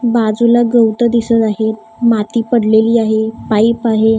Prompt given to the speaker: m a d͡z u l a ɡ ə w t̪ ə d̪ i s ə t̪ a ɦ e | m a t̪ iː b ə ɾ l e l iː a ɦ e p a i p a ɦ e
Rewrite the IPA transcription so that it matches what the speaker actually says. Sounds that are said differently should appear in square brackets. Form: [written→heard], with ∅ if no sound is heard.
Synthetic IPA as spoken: [m→b] a d͡z u l a ɡ ə w t̪ ə d̪ i s ə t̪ a ɦ e | m a t̪ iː [b→p] ə [ɾ→ɽ] l e l iː a ɦ e p a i p a ɦ e